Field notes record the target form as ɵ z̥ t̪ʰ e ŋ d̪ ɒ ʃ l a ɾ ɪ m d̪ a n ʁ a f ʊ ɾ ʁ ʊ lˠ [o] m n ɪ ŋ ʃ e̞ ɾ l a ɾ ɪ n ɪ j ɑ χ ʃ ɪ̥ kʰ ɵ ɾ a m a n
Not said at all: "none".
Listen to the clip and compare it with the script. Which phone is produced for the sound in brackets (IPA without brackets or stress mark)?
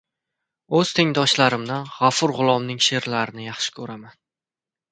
ɒ